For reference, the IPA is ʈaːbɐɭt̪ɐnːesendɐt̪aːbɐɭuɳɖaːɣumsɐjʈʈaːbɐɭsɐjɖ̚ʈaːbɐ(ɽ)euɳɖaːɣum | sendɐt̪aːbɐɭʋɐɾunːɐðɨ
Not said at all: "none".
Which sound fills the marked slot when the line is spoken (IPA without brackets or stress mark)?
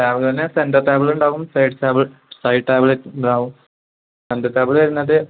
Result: ɭ